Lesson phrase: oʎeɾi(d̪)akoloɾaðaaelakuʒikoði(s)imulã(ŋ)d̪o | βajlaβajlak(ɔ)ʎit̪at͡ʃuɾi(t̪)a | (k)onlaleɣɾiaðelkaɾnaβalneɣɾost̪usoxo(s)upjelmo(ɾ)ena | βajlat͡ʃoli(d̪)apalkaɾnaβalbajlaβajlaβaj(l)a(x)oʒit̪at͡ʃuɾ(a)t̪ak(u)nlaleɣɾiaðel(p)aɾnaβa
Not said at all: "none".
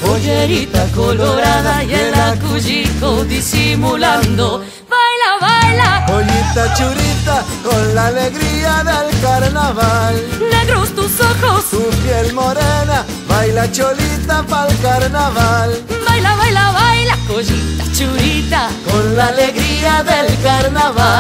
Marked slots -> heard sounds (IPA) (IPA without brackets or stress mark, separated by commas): t̪, s, n, o, t̪, k, s, ɾ, t̪, l, k, i, o, k